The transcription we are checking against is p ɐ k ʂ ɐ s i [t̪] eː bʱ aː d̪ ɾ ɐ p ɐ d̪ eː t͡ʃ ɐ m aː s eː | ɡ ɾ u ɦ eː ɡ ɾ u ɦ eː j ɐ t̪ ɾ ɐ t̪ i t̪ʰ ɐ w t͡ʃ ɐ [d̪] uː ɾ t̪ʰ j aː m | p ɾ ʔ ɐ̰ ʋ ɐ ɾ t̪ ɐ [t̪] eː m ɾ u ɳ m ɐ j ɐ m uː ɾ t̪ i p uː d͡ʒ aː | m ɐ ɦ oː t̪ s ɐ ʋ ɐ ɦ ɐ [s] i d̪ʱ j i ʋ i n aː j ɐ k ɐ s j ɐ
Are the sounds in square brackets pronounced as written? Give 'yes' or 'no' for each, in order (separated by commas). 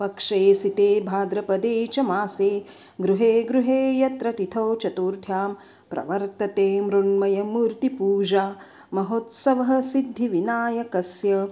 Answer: yes, no, yes, yes